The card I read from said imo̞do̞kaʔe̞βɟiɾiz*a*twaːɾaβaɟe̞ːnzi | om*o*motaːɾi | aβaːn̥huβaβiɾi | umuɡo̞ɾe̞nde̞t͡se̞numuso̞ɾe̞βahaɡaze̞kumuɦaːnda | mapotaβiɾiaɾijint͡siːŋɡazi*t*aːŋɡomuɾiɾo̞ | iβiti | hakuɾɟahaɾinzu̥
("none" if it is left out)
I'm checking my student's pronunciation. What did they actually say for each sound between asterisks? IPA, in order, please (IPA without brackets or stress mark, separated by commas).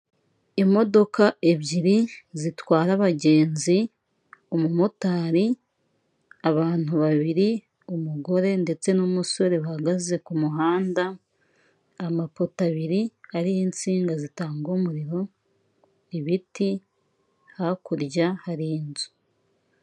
i, u, t